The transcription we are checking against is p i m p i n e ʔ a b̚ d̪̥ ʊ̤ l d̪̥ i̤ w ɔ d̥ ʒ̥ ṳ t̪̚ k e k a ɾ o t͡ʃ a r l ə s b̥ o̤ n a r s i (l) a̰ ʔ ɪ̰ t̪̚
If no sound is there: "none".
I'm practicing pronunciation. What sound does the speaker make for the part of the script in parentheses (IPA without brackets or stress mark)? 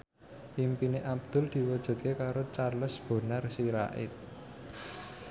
ɾ